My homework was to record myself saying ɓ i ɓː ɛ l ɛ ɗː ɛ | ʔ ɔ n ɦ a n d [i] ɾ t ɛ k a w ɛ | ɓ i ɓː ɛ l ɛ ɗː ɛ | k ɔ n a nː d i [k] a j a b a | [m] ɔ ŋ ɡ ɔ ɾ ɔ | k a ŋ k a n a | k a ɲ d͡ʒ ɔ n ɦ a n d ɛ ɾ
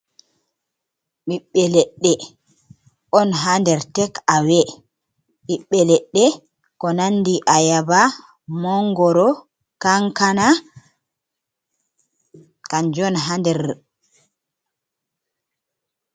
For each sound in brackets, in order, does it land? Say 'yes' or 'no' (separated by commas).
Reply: no, no, yes